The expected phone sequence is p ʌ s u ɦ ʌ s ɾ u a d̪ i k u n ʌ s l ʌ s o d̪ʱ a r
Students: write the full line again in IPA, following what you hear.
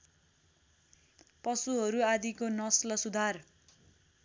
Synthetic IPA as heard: p ʌ s u ɦ ʌ ɾ u a d̪ i k o n ʌ s l ʌ s u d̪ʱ a r